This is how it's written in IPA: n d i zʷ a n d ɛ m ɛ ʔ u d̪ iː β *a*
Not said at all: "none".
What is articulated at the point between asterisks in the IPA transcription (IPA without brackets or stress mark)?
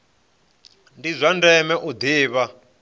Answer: a